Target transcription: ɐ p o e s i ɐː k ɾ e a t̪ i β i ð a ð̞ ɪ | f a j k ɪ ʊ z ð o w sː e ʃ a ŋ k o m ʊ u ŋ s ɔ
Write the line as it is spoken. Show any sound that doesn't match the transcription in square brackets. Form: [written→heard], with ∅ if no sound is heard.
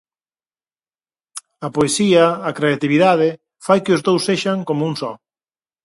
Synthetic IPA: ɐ p o e s i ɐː k ɾ e a t̪ i β i ð a ð̞ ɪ | f a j k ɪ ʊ z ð o w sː e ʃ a ŋ k o m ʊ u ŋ s ɔ

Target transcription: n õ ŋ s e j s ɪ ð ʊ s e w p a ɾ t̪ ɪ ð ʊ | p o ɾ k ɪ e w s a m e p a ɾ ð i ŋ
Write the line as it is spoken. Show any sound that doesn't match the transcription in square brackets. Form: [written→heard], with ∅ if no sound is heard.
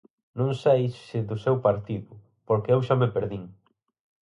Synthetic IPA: n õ ŋ s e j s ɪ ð ʊ s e w p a ɾ t̪ [ɪ→i] ð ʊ | p o ɾ k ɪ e w [s→ʃ] a m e p [a→e] ɾ ð i ŋ

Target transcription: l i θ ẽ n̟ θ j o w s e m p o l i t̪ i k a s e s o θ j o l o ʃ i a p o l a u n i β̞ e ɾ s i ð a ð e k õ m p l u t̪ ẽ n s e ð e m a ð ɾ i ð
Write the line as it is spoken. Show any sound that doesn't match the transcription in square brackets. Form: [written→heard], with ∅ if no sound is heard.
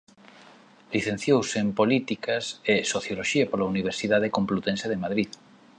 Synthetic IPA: l i θ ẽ n̟ θ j o w s e m p o l i t̪ i k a s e s o θ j o l o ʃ i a p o l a u n i β̞ e ɾ s i ð a ð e k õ m p l u t̪ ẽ n s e ð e m a ð ɾ i ð

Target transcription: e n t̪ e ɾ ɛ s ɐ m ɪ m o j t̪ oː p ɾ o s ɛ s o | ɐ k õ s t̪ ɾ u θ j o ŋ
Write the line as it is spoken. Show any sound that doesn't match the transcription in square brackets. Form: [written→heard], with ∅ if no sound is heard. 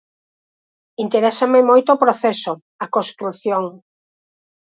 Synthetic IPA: [e→i] n t̪ e ɾ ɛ s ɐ m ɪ m o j t̪ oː p ɾ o [s→θ] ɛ s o | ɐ k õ s t̪ ɾ u θ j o ŋ

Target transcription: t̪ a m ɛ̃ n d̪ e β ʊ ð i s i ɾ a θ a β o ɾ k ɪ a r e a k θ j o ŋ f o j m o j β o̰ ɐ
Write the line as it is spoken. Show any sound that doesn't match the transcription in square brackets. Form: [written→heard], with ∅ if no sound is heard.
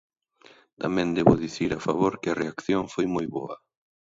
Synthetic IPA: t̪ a m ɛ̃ n d̪ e β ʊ ð i [s→θ] i ɾ a [θ→f] a β o ɾ k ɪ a r e a k θ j o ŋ f o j m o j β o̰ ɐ

